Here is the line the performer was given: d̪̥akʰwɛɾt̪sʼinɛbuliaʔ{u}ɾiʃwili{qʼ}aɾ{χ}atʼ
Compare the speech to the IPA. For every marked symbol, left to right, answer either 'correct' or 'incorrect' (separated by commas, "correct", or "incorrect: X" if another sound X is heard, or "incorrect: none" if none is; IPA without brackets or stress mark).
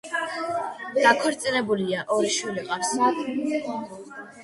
incorrect: ɔ, correct, incorrect: s